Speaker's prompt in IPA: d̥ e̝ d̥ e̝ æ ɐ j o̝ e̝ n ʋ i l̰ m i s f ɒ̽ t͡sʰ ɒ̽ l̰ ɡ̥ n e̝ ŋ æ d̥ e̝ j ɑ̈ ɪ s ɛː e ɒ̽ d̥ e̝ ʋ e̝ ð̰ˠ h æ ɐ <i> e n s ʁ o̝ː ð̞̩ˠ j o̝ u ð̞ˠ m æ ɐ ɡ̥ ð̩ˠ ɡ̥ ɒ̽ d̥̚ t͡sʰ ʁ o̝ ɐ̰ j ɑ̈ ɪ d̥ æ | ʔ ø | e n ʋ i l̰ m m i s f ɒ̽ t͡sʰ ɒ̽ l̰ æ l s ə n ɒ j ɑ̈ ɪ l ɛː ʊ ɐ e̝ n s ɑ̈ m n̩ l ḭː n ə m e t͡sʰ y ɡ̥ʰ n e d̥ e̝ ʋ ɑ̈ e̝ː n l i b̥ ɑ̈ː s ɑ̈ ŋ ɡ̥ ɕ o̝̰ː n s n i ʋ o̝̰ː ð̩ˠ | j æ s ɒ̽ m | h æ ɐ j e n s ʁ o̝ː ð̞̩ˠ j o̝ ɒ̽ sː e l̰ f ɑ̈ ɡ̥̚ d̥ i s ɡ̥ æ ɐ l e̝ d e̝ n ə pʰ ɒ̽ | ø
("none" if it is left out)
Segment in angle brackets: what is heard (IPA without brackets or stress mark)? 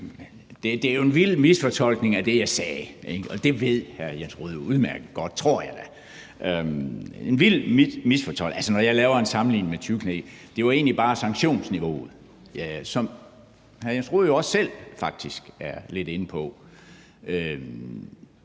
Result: j